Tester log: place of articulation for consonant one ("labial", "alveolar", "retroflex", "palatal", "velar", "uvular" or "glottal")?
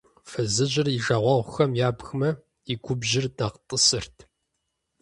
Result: labial